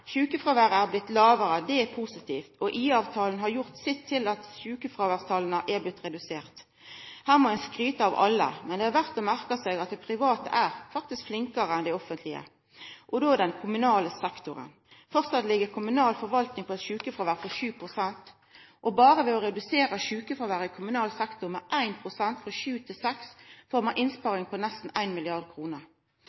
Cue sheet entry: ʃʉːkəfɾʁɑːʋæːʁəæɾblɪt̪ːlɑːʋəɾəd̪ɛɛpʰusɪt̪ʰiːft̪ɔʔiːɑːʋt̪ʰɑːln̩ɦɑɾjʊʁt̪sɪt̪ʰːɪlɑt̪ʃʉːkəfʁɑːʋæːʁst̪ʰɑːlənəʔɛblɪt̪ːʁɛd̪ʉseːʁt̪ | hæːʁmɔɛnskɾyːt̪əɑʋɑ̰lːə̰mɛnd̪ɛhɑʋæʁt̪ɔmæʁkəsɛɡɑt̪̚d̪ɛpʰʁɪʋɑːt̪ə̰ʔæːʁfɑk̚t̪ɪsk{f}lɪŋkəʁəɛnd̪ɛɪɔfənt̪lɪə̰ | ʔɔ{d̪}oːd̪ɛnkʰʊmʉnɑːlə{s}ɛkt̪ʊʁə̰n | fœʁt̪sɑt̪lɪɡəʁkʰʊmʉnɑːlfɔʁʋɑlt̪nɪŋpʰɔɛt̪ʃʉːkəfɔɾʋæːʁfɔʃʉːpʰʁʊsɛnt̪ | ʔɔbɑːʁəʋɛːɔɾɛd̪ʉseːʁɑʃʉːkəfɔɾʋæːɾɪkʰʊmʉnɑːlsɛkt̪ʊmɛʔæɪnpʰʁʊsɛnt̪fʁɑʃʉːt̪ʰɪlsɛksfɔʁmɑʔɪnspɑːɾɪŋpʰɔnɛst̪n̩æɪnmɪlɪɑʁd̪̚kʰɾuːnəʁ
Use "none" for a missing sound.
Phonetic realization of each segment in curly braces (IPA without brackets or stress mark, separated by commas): f, d̪, s